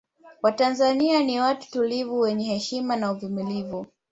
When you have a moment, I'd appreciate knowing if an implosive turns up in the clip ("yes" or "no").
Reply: no